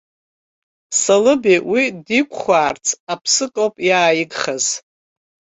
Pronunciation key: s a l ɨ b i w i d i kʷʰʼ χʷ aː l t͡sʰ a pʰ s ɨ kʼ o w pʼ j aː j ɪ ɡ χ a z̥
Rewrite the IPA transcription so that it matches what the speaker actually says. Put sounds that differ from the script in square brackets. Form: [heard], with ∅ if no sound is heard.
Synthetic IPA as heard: s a l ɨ b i w i d i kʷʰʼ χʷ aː [r] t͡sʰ a pʰ s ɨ kʼ o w pʼ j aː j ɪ ɡ χ a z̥